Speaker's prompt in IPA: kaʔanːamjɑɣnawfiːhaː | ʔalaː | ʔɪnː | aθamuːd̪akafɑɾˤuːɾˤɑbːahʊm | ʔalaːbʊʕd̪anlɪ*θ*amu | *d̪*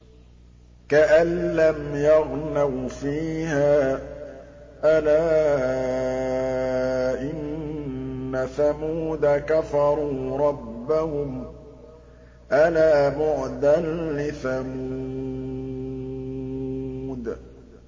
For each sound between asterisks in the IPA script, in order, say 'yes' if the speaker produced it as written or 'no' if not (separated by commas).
yes, yes